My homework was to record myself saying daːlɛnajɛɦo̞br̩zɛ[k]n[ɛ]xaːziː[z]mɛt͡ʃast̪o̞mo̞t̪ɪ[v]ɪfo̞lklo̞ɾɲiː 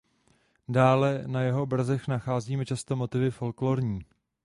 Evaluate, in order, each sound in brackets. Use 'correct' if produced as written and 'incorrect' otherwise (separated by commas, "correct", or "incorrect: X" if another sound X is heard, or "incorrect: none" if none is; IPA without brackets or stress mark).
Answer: incorrect: x, incorrect: a, incorrect: none, correct